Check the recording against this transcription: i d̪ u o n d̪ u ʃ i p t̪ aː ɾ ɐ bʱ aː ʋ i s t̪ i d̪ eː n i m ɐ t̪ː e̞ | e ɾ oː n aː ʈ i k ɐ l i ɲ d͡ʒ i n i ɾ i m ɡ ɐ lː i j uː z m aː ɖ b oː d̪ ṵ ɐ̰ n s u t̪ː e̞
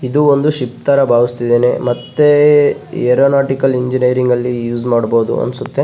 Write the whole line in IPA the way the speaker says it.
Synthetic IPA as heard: i d̪ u o n d̪ u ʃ i p t̪ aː ɾ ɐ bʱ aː ʋ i s t̪ i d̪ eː n e m ɐ t̪ː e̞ | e ɾ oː n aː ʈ i k ɐ l i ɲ d͡ʒ i n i ɾ i ŋ ɡ ɐ lː i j uː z m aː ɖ b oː d̪ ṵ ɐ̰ n s u t̪ː e̞

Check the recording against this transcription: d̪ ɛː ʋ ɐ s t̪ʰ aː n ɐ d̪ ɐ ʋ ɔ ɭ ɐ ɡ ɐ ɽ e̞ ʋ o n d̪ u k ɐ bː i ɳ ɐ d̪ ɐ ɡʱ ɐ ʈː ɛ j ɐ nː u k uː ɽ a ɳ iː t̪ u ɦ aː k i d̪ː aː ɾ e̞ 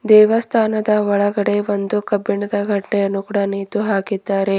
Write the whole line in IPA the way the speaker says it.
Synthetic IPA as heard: d̪ ɛː ʋ ɐ s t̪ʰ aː n ɐ d̪ ɐ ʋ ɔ ɭ ɐ ɡ ɐ ɽ e̞ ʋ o n d̪ u k ɐ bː i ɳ ɐ d̪ ɐ ɡʱ ɐ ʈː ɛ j ɐ nː u k uː ɽ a n iː t̪ u ɦ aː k i d̪ː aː ɾ e̞

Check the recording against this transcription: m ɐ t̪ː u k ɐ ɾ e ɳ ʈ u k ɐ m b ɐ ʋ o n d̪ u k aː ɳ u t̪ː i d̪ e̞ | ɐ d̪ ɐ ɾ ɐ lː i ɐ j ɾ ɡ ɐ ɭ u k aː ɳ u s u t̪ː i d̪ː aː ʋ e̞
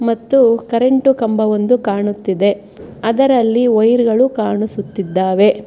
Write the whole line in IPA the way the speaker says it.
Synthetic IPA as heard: m ɐ t̪ː u k ɐ ɾ e ɳ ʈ u k ɐ m b ɐ ʋ o n d̪ u k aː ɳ u t̪ː i d̪ e̞ | ɐ d̪ ɐ ɾ ɐ lː i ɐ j ɾ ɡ ɐ ɭ u k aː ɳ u s u t̪ː i d̪ː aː ʋ e̞

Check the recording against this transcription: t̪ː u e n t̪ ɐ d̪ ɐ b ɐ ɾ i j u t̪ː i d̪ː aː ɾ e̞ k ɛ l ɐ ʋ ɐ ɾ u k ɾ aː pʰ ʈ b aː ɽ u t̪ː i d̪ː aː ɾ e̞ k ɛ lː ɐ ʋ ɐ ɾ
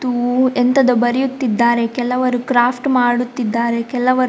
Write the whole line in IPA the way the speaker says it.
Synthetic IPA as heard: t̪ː u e n t̪ ɐ d̪ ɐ b ɐ ɾ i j u t̪ː i d̪ː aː ɾ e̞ k ɛ l ɐ ʋ ɐ ɾ u k ɾ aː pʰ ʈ m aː ɽ u t̪ː i d̪ː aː ɾ e̞ k ɛ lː ɐ ʋ ɐ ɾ

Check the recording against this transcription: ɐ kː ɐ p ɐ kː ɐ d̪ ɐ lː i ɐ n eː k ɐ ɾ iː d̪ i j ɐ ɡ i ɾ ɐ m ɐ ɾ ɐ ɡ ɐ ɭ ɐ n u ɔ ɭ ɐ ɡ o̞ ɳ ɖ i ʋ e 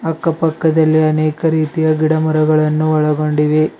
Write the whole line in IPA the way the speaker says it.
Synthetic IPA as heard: ɐ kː ɐ p ɐ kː ɐ d̪ ɐ lː i ɐ n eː k ɐ ɾ iː t̪ i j ɐ ɡ i ɽ ɐ m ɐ ɾ ɐ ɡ ɐ ɭ ɐ nː u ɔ ɭ ɐ ɡ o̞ ɳ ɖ i ʋ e

